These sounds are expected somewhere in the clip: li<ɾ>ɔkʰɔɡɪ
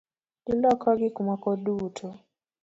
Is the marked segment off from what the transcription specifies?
yes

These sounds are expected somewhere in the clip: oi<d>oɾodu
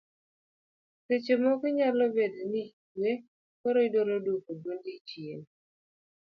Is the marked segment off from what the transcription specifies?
no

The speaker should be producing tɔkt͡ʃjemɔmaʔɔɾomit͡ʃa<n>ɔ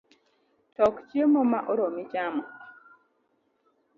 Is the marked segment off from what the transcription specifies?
yes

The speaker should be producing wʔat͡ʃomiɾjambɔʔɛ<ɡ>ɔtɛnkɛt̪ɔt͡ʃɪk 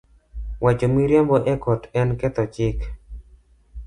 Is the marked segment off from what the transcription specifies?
yes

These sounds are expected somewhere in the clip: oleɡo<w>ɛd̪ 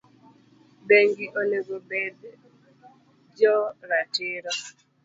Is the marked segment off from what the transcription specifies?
yes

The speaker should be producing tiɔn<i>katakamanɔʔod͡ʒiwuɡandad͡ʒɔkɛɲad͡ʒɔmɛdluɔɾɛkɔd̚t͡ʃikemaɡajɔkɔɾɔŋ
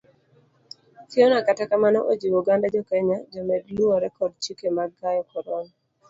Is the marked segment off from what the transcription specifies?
yes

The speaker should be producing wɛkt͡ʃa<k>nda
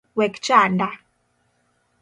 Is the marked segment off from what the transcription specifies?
yes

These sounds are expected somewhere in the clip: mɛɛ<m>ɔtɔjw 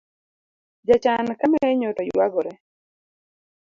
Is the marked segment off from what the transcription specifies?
yes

